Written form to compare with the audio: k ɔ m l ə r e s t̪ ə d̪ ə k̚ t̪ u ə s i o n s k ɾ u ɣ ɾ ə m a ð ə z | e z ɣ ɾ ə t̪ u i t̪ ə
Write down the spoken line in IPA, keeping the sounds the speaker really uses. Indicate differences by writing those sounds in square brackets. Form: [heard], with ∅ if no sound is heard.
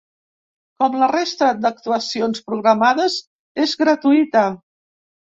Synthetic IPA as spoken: k ɔ m l ə r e s t̪ ə d̪ ə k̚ t̪ u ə s i o n s [p] ɾ u ɣ ɾ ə m a ð ə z | e z ɣ ɾ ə t̪ u i t̪ ə